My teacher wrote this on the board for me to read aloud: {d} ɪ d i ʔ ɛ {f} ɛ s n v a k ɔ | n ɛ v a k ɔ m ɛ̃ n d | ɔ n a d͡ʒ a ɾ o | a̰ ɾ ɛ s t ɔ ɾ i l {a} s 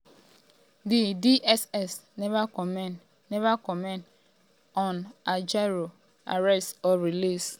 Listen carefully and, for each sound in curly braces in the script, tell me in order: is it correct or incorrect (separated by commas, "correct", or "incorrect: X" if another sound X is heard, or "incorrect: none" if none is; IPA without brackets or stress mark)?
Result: correct, incorrect: s, incorrect: i